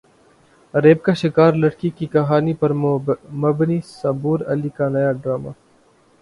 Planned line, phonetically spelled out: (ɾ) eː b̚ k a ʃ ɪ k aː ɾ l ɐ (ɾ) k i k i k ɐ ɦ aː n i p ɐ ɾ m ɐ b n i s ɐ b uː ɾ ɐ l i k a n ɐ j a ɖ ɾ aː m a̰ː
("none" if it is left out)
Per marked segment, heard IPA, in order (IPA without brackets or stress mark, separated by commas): ɾ, ɽ